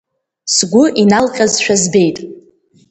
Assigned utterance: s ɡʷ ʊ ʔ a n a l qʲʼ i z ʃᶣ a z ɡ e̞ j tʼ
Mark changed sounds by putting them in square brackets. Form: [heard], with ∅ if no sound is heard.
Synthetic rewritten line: s ɡʷ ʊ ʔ [i] n a l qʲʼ [a] z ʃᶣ a z [b] e̞ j tʼ